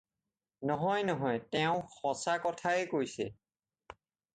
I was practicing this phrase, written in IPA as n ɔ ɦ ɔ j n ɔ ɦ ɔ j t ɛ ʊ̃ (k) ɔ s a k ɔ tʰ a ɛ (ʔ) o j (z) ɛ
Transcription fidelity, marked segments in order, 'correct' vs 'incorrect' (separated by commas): incorrect, incorrect, incorrect